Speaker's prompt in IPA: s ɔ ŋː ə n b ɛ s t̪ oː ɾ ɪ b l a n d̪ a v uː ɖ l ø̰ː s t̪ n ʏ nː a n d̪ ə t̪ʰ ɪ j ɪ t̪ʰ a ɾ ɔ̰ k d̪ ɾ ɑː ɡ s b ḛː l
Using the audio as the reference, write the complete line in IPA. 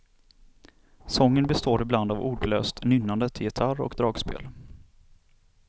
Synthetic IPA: s ɔ ŋː ə n b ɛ s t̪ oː ɾ ɪ b l a n d̪ a v uː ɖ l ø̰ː s t̪ n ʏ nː a n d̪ ə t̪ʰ ɪ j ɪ t̪ʰ a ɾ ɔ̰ k d̪ ɾ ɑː ɡ s p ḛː l